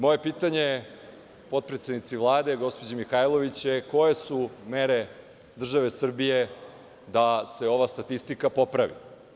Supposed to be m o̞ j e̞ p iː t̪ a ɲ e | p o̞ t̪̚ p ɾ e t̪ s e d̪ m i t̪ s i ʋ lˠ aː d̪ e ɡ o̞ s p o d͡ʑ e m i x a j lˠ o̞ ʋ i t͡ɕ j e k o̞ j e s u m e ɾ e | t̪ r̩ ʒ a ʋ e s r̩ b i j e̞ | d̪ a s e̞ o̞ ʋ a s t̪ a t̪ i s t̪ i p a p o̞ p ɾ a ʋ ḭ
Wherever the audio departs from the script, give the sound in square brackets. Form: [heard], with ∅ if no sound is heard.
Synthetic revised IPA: m o̞ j e̞ p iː t̪ a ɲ e | p o̞ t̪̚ p ɾ e t̪ s e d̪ [n] i t̪ s i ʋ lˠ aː d̪ e ɡ o̞ s p o d͡ʑ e m i x a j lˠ o̞ ʋ i t͡ɕ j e k o̞ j e s u m e ɾ e | [d̪] r̩ ʒ a ʋ e s r̩ b i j e̞ | d̪ a s e̞ o̞ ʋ a s t̪ a t̪ i s t̪ i [k] a p o̞ p ɾ a ʋ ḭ